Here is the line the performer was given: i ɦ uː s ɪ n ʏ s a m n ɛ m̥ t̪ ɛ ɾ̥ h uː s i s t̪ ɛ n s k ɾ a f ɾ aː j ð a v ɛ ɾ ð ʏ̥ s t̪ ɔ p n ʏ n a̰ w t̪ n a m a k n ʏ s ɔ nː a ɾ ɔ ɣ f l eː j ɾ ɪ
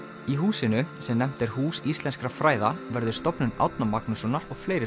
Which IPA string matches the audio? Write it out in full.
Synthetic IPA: i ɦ uː s ɪ n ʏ s ɛ m n ɛ m̥ t̪ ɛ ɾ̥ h uː s i s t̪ ɛ n s k ɾ a f ɾ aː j ð a v ɛ ɾ ð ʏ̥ s t̪ ɔ p n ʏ n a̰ w t̪ n a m a k n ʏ s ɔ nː a ɾ ɔ ɣ f l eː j ɾ ɪ